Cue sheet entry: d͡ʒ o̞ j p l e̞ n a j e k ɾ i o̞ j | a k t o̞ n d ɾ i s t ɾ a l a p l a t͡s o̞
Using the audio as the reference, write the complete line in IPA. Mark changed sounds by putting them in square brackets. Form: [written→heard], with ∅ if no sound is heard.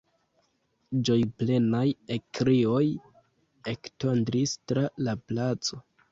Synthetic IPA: d͡ʒ o̞ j p l e̞ n a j e k ɾ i o̞ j | [a→e] k t o̞ n d ɾ i s t ɾ a l a p l a t͡s o̞